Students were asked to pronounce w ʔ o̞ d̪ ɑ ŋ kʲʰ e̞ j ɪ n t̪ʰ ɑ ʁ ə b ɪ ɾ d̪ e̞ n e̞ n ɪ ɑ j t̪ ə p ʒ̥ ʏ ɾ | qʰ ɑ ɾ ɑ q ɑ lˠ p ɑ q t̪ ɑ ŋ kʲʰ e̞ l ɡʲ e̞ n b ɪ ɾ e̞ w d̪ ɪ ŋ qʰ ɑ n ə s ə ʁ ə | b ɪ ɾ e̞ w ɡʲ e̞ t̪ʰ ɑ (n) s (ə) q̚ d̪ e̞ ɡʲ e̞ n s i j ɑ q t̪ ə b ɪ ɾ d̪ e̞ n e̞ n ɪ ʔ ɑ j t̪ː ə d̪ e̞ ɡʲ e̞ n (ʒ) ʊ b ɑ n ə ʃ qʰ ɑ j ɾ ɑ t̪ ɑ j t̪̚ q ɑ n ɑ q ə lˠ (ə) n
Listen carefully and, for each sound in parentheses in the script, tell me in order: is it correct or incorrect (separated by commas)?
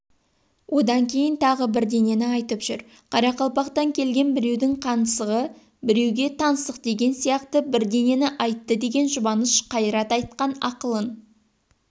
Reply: correct, correct, correct, correct